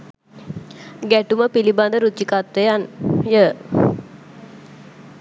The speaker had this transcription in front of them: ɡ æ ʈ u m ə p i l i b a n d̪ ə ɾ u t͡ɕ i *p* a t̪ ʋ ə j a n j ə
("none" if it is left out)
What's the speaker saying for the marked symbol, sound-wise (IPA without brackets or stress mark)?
k